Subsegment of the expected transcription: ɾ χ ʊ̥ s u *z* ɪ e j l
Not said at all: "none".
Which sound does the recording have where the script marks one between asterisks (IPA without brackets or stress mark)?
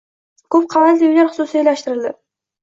s